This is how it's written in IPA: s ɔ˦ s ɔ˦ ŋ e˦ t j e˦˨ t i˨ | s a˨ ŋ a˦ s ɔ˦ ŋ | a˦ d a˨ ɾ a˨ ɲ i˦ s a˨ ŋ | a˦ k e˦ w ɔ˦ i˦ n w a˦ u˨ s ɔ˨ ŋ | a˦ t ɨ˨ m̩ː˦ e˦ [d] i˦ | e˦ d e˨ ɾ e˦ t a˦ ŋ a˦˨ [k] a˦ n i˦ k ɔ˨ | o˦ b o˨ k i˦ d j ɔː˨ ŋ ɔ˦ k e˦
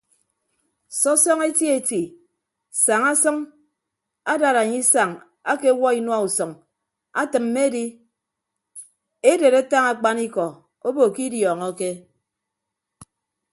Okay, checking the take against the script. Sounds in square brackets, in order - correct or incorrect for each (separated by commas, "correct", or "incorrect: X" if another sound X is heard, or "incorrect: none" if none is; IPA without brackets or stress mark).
correct, incorrect: k͡p